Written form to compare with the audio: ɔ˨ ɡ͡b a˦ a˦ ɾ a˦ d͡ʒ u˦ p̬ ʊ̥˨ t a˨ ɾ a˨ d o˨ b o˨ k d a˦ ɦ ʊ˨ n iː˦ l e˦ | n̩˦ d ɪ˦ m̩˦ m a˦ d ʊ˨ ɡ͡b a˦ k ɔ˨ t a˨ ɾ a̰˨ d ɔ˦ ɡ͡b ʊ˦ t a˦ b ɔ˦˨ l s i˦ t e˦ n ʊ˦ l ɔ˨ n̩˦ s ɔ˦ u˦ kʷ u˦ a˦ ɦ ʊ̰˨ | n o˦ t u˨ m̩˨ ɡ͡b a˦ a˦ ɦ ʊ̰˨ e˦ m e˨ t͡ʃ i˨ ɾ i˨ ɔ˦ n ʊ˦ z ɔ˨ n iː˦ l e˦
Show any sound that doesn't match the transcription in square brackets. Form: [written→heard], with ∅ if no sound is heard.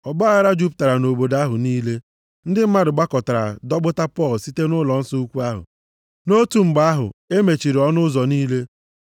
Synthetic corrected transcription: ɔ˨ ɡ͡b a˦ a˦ ɾ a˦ d͡ʒ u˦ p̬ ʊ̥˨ t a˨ ɾ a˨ [d→n] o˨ b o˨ [k→∅] d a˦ ɦ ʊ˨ n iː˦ l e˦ | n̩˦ d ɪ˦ m̩˦ m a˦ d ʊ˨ ɡ͡b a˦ k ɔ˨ t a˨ ɾ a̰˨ d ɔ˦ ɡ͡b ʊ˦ t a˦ [b→p] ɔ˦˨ l s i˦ t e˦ n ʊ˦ l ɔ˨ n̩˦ s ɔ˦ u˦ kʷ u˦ a˦ ɦ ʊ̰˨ | n o˦ t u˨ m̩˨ ɡ͡b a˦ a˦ ɦ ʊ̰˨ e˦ m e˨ t͡ʃ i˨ ɾ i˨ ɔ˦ n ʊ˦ z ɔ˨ n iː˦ l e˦

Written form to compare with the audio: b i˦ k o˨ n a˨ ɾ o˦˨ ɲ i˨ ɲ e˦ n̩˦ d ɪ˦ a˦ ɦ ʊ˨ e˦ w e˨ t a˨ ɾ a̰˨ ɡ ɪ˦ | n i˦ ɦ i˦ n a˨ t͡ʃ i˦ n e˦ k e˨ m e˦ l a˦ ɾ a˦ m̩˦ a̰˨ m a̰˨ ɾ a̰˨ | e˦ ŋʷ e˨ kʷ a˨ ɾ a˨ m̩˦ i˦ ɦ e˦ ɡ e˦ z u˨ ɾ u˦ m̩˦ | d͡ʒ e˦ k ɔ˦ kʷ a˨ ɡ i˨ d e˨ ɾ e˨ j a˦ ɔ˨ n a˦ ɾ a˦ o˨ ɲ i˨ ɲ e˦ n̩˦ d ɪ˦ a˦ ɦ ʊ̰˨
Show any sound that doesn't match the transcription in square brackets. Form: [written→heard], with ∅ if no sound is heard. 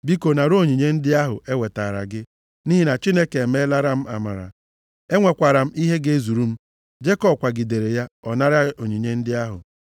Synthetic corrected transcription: b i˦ k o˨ n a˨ ɾ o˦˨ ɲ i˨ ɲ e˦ n̩˦ d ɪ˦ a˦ ɦ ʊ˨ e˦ w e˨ t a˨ ɾ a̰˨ ɡ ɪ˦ | n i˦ ɦ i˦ n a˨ t͡ʃ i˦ n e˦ k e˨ m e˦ l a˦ ɾ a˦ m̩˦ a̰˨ m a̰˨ ɾ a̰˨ | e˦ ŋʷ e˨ kʷ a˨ ɾ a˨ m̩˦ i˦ ɦ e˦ ɡ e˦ z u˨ ɾ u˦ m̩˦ | d͡ʒ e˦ k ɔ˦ kʷ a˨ ɡ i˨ d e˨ ɾ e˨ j a˦ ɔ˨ n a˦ ɾ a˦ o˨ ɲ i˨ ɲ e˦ n̩˦ d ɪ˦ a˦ ɦ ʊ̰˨

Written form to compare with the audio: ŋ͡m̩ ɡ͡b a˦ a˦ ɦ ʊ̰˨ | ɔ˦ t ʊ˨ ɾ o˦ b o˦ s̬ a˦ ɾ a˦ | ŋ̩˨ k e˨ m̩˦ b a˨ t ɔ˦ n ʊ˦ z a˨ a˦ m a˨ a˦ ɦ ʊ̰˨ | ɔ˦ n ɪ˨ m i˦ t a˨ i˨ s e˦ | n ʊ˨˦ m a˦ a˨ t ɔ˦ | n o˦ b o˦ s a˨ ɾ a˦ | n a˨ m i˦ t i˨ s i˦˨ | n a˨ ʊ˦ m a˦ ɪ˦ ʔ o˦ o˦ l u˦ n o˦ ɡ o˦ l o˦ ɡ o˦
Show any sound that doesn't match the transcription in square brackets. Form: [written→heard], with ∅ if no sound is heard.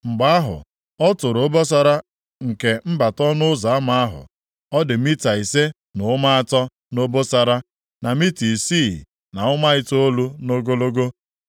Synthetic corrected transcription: ŋ͡m̩ ɡ͡b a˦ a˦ ɦ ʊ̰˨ | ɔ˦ t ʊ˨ ɾ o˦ b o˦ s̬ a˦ ɾ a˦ | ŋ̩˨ k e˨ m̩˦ b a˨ t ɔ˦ n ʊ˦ z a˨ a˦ m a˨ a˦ ɦ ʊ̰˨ | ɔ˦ [n→d] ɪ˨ m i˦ t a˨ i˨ s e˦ | n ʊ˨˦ m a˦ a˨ t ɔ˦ | n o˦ b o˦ s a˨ ɾ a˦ | n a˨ m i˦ t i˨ s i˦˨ | n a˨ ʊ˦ m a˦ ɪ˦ [ʔ→t] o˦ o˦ l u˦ n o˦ ɡ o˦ l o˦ ɡ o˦

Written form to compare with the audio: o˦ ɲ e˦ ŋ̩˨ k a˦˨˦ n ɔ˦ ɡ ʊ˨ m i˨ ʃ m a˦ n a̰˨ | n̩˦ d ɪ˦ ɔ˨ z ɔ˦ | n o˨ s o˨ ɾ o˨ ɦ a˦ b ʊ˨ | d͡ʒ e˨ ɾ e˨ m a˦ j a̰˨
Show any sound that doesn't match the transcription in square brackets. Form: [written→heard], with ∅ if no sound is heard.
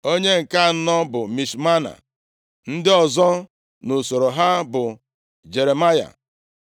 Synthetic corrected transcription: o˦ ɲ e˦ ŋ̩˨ k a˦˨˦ n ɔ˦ [ɡ→b] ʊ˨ m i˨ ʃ m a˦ n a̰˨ | n̩˦ d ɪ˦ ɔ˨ z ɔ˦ | n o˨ s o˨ ɾ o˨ ɦ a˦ b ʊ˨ | d͡ʒ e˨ ɾ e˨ m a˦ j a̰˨

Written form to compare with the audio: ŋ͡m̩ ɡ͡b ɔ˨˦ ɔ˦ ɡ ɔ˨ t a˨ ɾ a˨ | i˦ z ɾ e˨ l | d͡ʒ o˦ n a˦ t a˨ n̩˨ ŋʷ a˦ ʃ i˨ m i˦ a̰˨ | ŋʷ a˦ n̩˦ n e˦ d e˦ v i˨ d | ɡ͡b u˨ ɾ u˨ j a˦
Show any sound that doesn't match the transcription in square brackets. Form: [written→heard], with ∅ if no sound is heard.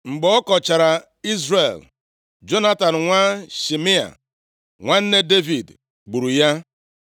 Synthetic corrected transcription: ŋ͡m̩ ɡ͡b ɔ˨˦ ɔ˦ [ɡ→k] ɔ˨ [t→t͡ʃ] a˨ ɾ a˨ | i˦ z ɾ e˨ l | d͡ʒ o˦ n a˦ t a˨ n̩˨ ŋʷ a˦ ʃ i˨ m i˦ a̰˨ | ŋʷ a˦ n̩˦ n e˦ d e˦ v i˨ d | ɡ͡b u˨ ɾ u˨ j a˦

